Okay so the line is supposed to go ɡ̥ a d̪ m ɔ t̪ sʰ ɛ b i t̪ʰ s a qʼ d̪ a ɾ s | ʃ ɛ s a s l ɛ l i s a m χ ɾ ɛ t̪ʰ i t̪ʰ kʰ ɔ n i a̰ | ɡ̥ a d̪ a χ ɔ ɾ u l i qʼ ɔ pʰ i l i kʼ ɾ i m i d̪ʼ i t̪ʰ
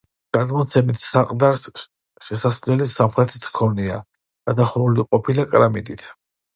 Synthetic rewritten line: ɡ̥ a d̪ m ɔ t̪ sʰ ɛ m i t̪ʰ s a qʼ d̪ a ɾ s | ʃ ɛ s a s l ɛ l i s a m χ ɾ ɛ t̪ʰ i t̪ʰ kʰ ɔ n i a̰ | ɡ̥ a d̪ a χ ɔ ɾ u l i qʼ ɔ pʰ i l a kʼ ɾ a m i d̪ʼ i t̪ʰ